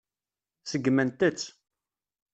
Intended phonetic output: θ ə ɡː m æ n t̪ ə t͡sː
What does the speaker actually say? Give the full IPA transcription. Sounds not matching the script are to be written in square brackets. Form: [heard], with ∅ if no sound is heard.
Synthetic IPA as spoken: [s] ə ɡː m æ n t̪ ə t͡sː